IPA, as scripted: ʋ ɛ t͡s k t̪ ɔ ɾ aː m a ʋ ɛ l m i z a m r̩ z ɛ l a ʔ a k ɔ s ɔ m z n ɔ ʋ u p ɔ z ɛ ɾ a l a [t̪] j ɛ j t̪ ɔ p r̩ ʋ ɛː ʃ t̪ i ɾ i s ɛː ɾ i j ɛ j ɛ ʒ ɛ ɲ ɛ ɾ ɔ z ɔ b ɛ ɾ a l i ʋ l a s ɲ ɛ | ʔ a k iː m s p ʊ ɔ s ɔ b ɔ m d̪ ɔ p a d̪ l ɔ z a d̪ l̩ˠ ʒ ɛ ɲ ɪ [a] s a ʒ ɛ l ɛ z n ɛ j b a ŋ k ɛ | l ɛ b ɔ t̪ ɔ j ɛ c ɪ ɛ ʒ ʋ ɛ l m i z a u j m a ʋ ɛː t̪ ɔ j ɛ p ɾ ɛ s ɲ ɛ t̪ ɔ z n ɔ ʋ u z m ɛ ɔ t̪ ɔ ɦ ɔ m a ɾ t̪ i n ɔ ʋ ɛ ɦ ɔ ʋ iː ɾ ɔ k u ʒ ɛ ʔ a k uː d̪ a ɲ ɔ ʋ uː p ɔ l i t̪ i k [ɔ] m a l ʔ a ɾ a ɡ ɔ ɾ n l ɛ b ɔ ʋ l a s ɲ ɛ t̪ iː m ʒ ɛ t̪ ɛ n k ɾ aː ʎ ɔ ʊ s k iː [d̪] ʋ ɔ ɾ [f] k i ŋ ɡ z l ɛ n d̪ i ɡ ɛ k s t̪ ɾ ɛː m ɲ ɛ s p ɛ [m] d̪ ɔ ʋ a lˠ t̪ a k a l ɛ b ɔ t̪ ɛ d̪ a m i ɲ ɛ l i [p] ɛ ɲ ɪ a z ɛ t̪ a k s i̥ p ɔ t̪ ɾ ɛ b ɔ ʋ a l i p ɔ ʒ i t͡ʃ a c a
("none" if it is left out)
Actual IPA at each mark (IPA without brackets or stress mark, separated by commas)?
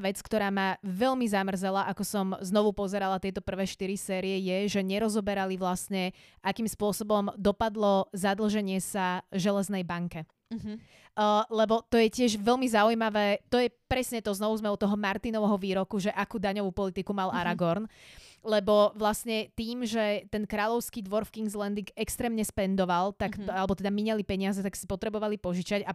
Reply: t̪, ɛ, u, d̪, f, n, p